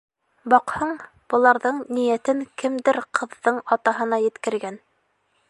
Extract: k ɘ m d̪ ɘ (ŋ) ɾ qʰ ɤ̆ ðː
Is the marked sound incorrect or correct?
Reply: incorrect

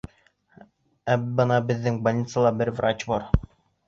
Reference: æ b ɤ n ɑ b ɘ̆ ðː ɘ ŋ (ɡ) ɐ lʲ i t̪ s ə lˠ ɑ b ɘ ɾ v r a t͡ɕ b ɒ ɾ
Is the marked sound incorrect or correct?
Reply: incorrect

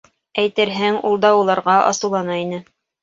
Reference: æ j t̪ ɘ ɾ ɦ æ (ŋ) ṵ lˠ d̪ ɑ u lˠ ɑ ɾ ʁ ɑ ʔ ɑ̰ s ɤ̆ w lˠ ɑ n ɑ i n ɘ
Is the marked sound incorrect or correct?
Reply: correct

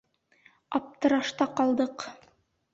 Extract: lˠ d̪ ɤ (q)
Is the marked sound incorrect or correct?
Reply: correct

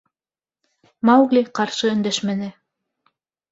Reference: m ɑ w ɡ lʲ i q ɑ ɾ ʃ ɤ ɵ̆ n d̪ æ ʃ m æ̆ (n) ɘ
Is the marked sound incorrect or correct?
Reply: correct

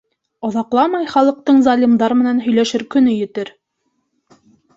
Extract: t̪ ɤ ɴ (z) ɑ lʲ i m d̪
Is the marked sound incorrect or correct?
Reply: correct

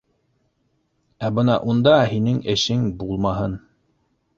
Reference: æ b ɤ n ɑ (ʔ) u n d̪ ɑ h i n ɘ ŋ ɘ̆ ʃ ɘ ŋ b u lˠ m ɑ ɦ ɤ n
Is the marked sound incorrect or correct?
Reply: correct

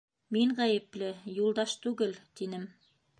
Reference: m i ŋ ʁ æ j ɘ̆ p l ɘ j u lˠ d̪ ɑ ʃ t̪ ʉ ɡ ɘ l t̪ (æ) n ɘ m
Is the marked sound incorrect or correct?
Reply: incorrect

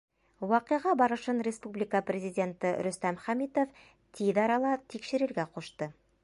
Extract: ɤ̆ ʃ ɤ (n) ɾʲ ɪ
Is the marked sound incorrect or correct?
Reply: correct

